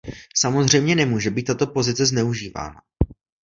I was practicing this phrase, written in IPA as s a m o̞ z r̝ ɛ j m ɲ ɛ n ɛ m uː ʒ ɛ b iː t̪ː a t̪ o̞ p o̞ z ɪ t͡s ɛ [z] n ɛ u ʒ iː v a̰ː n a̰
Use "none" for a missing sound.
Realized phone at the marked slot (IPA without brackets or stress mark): z